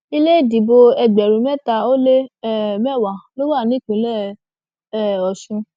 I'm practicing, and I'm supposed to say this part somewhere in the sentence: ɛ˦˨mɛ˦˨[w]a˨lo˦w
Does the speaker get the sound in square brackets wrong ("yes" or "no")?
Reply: no